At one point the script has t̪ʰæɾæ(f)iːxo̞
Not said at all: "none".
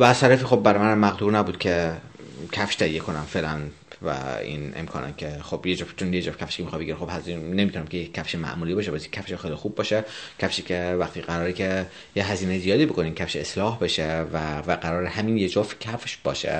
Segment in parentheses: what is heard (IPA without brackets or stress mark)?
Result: f